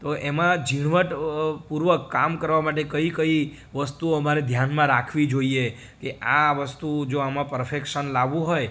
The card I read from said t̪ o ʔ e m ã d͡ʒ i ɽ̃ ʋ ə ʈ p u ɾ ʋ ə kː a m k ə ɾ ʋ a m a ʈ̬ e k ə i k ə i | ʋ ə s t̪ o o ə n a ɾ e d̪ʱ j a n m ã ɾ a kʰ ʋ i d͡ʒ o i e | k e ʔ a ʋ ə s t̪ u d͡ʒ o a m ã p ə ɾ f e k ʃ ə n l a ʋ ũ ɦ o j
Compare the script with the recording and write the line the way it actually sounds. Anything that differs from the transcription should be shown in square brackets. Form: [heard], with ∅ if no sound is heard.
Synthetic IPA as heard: t̪ o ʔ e m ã d͡ʒ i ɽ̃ ʋ ə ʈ p u ɾ ʋ ə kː a m k ə ɾ ʋ a m a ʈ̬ e k ə i k ə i | ʋ ə s t̪ [u] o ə [m] a ɾ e d̪ʱ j a n m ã ɾ a kʰ ʋ i d͡ʒ o i e | k e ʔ a ʋ ə s t̪ u d͡ʒ o a m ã p ə ɾ f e k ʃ ə n l a ʋ ũ ɦ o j